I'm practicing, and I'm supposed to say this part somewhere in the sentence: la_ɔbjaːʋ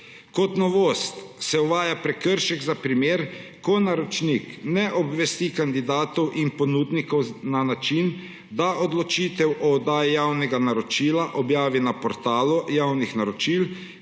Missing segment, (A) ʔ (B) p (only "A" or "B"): A